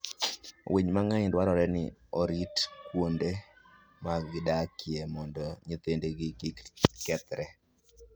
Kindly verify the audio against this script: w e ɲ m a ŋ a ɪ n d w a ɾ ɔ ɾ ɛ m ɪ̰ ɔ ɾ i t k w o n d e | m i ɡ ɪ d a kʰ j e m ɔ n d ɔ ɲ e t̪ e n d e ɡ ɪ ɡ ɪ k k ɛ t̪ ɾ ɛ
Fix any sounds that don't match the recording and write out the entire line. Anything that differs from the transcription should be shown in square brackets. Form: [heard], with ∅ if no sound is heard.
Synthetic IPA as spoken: w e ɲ m a ŋ a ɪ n d w a ɾ ɔ ɾ ɛ [n] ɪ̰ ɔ ɾ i t k w o n d e | m [a] ɡ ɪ d a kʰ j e m ɔ n d ɔ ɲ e t̪ e n d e ɡ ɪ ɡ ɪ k k ɛ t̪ ɾ ɛ